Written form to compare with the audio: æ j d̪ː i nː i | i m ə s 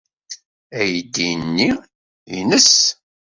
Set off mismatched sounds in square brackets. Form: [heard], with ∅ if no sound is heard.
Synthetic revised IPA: æ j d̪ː i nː i | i [n] ə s